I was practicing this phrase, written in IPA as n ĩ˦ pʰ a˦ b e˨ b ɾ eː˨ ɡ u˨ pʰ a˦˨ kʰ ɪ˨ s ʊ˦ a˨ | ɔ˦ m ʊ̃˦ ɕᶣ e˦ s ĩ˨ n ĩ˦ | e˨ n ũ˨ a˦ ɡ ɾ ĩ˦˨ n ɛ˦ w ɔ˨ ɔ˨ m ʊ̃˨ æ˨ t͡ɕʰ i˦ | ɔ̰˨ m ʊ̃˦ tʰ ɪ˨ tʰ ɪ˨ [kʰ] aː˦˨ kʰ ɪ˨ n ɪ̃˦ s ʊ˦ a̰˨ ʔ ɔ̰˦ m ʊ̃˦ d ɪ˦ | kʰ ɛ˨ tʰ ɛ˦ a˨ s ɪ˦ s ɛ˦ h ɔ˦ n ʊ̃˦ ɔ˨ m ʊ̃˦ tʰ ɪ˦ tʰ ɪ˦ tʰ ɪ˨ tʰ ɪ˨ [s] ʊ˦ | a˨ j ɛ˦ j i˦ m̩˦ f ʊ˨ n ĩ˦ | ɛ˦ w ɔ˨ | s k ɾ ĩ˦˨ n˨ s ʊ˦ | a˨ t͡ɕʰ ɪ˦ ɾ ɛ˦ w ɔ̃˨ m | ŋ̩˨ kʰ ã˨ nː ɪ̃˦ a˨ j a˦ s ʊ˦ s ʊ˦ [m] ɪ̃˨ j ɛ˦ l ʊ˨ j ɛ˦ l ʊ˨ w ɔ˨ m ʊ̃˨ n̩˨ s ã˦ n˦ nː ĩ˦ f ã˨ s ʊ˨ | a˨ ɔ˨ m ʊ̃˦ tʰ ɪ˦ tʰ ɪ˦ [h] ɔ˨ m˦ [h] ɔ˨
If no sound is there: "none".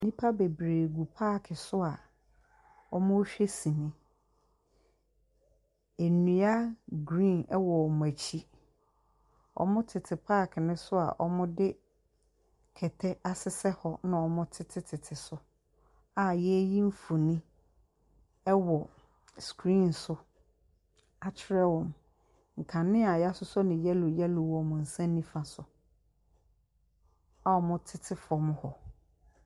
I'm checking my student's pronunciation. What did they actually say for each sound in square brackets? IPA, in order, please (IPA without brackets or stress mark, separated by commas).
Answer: pʰ, s, n, f, h